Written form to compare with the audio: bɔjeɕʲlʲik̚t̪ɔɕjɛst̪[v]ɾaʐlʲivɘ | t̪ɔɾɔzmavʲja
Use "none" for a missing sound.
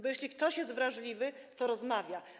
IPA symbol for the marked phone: v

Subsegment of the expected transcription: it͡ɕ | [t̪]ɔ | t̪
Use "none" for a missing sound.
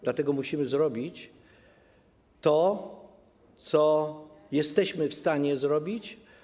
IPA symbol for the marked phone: t̪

